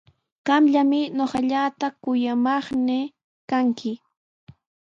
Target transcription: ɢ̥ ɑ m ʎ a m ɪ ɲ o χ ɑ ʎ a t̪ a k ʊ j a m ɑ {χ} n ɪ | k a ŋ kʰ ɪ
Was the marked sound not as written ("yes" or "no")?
no